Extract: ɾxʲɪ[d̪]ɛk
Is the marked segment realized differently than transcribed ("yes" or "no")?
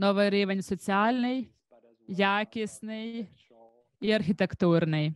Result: yes